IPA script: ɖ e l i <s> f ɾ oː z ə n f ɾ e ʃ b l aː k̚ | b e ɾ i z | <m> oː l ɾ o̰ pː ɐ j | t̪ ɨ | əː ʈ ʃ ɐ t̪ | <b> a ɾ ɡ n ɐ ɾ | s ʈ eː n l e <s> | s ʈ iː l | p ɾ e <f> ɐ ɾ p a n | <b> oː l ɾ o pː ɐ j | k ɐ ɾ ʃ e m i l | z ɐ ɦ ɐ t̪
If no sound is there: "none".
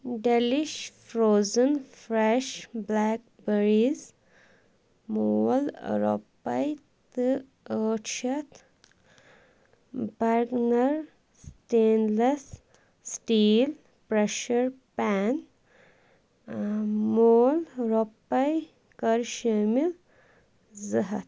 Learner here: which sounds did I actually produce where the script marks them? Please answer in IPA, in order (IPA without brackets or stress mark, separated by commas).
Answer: ʃ, m, b, s, ʃ, m